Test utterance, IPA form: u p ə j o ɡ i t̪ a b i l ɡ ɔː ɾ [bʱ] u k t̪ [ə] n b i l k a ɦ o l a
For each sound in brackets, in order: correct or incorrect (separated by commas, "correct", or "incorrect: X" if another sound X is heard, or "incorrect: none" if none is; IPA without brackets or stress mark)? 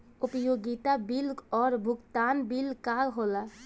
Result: correct, incorrect: a